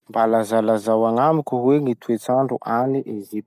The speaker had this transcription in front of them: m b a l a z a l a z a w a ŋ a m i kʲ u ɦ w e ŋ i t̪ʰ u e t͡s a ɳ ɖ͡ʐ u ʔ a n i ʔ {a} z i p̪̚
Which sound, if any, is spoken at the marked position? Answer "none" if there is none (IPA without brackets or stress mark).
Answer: e